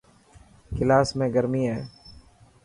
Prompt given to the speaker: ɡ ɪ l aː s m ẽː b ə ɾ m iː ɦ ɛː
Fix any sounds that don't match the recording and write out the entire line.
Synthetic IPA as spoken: k ɪ l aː s m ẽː ɡ ə ɾ m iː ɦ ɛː

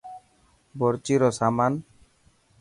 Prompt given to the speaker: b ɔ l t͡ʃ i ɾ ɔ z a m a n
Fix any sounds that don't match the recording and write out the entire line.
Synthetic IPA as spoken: b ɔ ɾ t͡ʃ i ɾ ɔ s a m a n

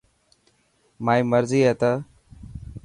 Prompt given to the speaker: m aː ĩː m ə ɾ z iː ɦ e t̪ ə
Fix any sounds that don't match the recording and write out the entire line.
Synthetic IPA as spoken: m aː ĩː m ə ɾ z iː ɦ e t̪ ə

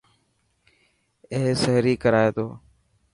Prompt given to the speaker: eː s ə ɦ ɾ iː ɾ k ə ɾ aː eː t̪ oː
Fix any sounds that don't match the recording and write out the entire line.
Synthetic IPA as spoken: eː s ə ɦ ɾ iː k ə ɾ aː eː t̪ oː

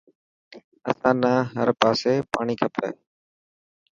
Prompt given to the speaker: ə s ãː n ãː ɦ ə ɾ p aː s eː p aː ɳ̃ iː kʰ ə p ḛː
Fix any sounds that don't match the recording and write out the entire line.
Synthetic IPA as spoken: ə s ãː n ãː ɦ ə ɾ p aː s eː p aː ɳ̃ iː kʰ ə p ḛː

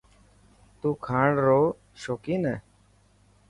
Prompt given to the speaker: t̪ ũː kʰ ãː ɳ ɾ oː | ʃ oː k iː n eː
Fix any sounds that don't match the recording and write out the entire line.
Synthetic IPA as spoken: t̪ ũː kʰ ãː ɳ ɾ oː | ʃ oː k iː n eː

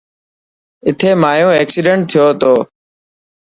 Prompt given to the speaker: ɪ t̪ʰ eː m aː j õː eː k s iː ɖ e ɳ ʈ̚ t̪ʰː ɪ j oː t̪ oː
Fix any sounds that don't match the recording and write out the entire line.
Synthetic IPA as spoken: ɪ t̪ʰ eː m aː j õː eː k s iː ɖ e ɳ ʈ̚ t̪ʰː ɪ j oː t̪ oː

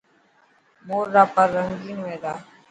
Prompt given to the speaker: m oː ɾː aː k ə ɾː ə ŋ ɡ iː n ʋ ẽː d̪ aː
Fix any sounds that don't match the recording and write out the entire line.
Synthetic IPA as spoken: m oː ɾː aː p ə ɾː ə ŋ ɡ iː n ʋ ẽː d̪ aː

